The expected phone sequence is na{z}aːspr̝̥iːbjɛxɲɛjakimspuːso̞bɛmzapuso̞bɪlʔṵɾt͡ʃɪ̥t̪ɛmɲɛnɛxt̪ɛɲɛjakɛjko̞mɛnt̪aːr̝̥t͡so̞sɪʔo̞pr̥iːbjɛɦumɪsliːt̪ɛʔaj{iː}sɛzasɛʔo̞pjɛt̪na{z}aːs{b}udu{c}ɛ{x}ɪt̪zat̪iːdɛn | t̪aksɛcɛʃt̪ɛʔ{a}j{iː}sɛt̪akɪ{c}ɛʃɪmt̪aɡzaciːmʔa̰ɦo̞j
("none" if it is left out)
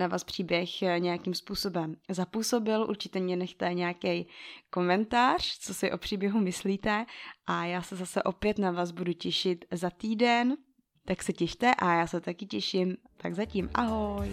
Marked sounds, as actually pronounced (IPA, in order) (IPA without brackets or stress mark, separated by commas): v, aː, v, b, c, ʃ, a, aː, c